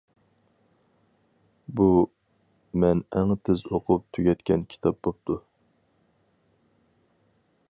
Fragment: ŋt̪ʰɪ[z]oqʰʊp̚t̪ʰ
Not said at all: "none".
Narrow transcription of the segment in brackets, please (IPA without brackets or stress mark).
z